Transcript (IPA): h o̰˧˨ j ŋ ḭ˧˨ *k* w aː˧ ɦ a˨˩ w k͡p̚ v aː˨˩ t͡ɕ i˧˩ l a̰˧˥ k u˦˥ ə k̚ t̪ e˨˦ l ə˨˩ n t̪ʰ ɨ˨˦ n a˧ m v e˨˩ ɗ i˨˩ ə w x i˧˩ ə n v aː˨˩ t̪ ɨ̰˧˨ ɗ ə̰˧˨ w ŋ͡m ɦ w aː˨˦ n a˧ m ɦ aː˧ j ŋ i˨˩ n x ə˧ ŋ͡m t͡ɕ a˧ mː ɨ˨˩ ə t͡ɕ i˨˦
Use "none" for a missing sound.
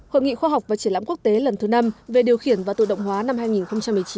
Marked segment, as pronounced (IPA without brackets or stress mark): x